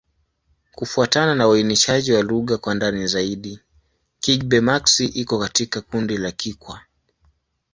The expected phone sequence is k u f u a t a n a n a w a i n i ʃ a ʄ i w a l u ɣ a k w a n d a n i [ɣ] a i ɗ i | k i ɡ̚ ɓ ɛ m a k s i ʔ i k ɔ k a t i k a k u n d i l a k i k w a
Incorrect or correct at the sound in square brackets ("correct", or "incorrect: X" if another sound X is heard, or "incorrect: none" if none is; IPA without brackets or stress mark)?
incorrect: z